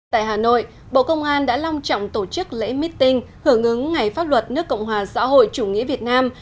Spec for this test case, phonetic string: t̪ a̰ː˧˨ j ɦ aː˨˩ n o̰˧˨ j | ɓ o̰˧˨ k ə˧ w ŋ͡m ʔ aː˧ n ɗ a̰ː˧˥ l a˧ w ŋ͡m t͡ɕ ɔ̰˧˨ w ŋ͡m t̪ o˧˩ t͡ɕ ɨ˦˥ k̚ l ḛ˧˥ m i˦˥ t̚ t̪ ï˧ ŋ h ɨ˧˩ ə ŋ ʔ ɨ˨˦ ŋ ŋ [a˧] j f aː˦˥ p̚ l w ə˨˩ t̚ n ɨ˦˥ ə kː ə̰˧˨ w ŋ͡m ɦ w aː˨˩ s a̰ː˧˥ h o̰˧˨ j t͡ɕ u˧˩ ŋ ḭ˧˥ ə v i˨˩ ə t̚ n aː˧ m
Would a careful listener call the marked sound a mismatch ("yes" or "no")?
yes